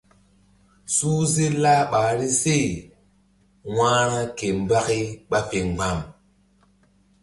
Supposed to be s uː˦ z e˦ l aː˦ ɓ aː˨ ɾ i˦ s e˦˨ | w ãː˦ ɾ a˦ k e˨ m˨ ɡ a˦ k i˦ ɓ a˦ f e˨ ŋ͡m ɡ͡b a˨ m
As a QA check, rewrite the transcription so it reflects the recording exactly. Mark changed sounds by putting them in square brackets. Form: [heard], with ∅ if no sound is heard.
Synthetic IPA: s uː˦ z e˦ l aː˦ ɓ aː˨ ɾ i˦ s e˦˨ | w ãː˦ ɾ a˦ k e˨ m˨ [b] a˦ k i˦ ɓ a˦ f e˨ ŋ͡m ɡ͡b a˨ m